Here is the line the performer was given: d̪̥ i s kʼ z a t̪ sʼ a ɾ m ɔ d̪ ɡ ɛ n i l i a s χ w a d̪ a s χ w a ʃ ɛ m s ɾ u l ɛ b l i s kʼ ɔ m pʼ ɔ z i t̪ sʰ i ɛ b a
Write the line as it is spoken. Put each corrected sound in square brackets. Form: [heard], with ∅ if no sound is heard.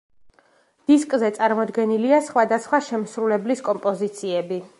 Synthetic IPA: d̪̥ i s kʼ z [ɛ] t̪ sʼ a ɾ m ɔ d̪ ɡ ɛ n i l i a s χ w a d̪ a s χ w a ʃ ɛ m s ɾ u l ɛ b l i s kʼ ɔ m pʼ ɔ z i t̪ sʰ i ɛ b [i]